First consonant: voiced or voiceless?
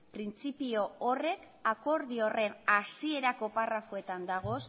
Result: voiceless